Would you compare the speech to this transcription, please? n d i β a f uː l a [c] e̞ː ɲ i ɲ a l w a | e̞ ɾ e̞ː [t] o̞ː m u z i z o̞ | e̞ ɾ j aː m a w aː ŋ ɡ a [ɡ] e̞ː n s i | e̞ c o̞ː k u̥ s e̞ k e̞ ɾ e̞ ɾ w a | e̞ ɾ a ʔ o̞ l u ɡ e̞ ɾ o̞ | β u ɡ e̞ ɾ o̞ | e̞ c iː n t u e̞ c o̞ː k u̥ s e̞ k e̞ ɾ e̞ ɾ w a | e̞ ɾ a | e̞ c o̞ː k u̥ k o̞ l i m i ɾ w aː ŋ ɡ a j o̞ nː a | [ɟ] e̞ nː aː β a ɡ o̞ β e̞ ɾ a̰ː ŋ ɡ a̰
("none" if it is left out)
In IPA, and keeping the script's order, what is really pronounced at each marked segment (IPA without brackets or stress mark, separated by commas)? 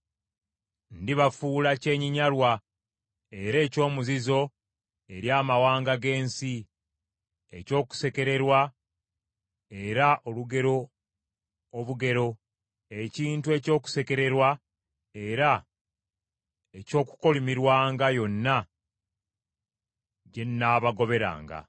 c, c, ɡ, ɟ